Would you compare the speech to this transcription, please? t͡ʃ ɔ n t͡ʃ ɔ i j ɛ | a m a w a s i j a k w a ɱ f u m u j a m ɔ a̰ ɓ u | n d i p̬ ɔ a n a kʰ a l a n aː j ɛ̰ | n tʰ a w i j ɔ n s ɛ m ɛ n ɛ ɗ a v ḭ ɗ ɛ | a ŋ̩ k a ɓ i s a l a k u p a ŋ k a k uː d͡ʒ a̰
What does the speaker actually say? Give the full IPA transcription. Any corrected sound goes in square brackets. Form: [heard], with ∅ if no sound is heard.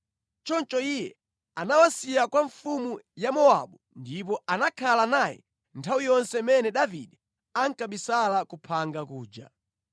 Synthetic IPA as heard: t͡ʃ ɔ n t͡ʃ ɔ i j ɛ | a [n] a w a s i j a k w a ɱ f u m u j a m ɔ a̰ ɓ u | n d i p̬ ɔ a n a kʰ a l a n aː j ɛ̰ | n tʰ a w i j ɔ n s ɛ m ɛ n ɛ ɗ a v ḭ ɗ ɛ | a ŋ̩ k a ɓ i s a l a k u [pʰ] a ŋ [ɡ] a k uː d͡ʒ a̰